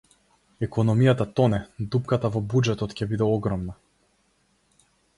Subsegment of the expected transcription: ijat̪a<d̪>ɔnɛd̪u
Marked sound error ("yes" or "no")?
yes